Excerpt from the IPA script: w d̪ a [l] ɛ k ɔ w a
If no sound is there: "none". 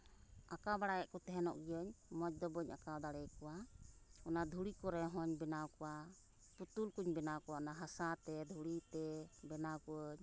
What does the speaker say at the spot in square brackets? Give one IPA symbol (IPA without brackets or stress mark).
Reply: ɽ